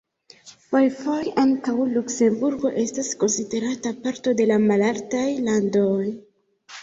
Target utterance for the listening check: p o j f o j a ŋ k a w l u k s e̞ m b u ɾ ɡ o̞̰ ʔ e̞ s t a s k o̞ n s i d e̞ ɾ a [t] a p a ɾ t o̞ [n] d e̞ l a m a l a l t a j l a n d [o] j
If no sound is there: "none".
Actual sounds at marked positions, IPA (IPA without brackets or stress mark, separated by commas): t, none, o